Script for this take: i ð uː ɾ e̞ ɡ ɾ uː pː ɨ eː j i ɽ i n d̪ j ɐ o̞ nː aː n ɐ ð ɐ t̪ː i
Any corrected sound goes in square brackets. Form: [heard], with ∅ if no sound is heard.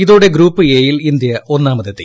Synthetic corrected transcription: i ð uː [ɽ] e̞ ɡ ɾ uː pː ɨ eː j i [l] i n d̪ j ɐ o̞ nː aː [m] ɐ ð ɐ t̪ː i